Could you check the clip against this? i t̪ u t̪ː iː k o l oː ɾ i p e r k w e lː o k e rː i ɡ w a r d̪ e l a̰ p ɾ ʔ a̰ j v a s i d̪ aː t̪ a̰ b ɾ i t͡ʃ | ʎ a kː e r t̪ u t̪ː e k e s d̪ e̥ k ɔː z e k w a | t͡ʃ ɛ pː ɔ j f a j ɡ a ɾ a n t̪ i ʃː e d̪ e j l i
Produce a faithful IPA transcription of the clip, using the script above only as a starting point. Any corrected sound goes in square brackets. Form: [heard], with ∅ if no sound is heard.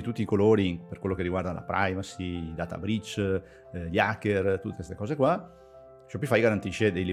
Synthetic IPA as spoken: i t̪ u t̪ː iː k o l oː ɾ i p e r k w e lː o k e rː i ɡ w a r d̪ [a] l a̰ p ɾ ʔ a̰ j v a s i d̪ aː t̪ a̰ b ɾ i t͡ʃ | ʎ a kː e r t̪ u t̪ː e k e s [t̪] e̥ k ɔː z e k w a | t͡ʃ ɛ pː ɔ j f a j ɡ a ɾ a n t̪ i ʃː e d̪ e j l i